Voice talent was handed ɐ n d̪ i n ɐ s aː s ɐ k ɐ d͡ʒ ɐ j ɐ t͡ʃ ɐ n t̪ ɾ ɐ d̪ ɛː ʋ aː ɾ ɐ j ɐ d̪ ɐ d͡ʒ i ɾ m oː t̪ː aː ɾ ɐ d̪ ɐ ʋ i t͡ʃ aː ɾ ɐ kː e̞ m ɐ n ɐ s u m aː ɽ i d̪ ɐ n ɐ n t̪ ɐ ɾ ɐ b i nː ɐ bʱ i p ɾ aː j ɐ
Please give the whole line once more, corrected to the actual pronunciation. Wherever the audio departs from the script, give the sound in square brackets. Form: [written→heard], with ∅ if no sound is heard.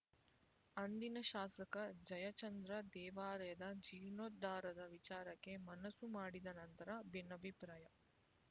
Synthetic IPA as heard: ɐ n d̪ i n ɐ [s→ʃ] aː s ɐ k ɐ d͡ʒ ɐ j ɐ t͡ʃ ɐ n [t̪→d̪] ɾ ɐ d̪ ɛː ʋ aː ɾ ɐ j ɐ d̪ ɐ d͡ʒ i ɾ [m→n] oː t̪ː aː ɾ ɐ d̪ ɐ ʋ i t͡ʃ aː ɾ ɐ kː e̞ m ɐ n ɐ s u m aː ɽ i d̪ ɐ n ɐ n t̪ ɐ ɾ ɐ b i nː ɐ bʱ i p ɾ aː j ɐ